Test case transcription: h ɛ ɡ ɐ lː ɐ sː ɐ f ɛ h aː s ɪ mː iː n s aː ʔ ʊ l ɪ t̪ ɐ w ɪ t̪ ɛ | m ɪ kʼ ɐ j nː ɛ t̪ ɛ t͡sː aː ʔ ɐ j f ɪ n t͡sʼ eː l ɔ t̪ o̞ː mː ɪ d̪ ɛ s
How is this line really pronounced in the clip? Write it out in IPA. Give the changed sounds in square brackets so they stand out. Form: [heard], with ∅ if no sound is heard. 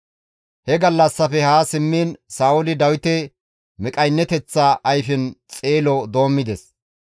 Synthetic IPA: h ɛ ɡ ɐ lː ɐ sː ɐ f ɛ h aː s ɪ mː iː n s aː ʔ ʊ l ɪ [d̪] ɐ w ɪ t̪ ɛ | m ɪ kʼ ɐ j nː ɛ t̪ ɛ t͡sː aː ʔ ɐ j f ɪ n t͡sʼ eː l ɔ [d̪] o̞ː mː ɪ d̪ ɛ s